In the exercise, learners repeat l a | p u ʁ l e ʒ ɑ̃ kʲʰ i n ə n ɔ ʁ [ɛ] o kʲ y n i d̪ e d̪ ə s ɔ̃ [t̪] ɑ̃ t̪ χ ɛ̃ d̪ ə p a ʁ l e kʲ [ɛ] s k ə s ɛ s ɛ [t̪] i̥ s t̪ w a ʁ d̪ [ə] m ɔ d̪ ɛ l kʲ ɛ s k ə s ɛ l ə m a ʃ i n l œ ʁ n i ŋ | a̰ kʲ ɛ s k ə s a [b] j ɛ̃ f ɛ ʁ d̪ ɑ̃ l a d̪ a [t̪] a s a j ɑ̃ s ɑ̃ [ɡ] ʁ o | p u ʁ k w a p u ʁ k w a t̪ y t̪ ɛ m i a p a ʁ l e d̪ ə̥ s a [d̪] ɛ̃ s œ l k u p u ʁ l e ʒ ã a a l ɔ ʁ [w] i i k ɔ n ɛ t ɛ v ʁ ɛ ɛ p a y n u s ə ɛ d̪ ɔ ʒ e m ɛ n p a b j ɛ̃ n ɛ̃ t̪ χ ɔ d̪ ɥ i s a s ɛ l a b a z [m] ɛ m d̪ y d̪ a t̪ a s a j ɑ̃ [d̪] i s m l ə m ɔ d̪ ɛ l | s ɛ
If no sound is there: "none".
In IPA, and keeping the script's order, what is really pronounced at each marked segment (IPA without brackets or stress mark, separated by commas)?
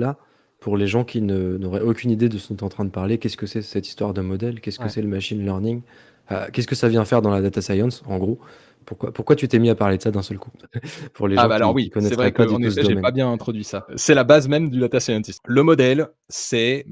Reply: ɛ, t̪, ɛ, t̪, ə, v, t̪, ɡ, d̪, w, m, t̪